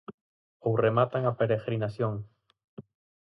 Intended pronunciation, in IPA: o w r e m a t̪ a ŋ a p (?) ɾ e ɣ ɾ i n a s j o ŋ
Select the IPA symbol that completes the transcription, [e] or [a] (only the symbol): e